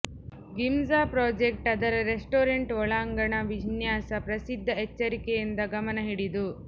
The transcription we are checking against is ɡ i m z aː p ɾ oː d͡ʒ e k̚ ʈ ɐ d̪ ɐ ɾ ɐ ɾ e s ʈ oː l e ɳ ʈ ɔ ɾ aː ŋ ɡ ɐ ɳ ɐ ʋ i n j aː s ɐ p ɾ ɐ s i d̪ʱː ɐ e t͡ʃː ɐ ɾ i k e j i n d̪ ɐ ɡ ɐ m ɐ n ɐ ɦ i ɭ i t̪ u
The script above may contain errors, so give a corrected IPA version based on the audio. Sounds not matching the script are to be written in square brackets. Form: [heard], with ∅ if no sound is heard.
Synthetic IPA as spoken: ɡ i m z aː p ɾ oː d͡ʒ e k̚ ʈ ɐ d̪ ɐ ɾ ɐ ɾ e s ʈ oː [ɾ] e ɳ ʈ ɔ [ɭ] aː ŋ ɡ ɐ ɳ ɐ ʋ i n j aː s ɐ p ɾ ɐ s i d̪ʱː ɐ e t͡ʃː ɐ ɾ i k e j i n d̪ ɐ ɡ ɐ m ɐ n ɐ ɦ i [ɽ] i [d̪] u